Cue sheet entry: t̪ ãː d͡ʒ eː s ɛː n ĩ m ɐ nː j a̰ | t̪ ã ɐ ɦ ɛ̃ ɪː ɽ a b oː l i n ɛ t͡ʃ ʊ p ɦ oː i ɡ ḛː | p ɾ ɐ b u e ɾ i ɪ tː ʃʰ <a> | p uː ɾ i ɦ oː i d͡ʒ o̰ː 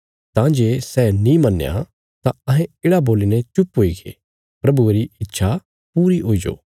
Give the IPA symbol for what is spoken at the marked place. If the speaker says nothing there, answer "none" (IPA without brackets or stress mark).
a